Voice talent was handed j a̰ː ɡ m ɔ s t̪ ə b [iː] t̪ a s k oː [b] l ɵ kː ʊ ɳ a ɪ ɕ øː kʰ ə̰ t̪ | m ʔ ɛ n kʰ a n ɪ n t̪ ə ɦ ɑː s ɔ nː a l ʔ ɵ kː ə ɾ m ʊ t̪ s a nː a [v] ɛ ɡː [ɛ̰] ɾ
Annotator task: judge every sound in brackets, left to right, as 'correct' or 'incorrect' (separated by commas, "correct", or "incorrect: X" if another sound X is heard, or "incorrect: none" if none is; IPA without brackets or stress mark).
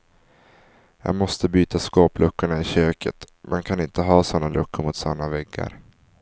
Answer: incorrect: yː, incorrect: p, correct, incorrect: a̰